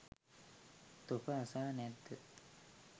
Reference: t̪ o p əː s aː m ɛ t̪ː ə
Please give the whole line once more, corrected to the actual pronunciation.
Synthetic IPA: t̪ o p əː s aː n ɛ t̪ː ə